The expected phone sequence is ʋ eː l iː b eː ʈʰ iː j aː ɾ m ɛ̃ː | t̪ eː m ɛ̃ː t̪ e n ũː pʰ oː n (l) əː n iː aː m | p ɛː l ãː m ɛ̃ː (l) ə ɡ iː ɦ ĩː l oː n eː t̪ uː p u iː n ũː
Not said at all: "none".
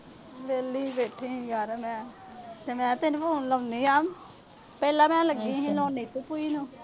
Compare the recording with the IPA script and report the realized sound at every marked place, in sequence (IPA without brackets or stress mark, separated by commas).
l, l